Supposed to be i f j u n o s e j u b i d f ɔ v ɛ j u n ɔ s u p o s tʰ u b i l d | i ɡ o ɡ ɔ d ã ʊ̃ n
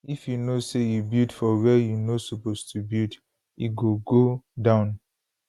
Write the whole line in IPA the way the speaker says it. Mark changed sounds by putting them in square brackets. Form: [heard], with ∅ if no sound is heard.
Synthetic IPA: i f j u n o s e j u b i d f ɔ [w] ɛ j u n [o] s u p o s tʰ u b i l d | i ɡ o ɡ [o] d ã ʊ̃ n